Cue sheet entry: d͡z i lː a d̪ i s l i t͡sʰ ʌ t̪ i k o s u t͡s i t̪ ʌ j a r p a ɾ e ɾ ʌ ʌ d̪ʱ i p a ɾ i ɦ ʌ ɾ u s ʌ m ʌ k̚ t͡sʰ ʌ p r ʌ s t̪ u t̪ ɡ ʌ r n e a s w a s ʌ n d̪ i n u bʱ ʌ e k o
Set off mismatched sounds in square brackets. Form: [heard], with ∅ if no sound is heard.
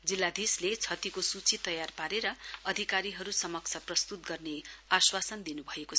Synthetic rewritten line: d͡z i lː a d̪ i s l [e] t͡sʰ ʌ t̪ i k o s u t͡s i t̪ ʌ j a r p a ɾ e ɾ ʌ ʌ d̪ʱ i [k] a ɾ i ɦ ʌ ɾ u s ʌ m ʌ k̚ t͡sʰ ʌ p r ʌ s t̪ u t̪ ɡ ʌ r n e a s w a s ʌ n d̪ i n u bʱ ʌ e k o